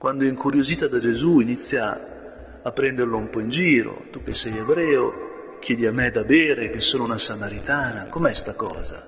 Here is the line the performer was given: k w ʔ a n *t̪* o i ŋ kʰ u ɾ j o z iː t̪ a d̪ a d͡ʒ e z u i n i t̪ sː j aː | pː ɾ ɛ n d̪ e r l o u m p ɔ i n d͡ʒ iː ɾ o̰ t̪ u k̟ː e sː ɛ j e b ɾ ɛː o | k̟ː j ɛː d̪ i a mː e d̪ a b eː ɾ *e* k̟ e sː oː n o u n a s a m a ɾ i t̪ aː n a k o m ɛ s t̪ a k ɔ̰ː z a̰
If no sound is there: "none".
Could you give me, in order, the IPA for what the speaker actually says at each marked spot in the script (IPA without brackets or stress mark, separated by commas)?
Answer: d̪, e